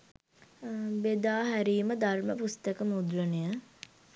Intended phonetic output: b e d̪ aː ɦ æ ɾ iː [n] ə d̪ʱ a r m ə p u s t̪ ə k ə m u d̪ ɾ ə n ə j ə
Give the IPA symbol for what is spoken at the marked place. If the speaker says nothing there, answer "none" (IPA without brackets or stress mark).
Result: m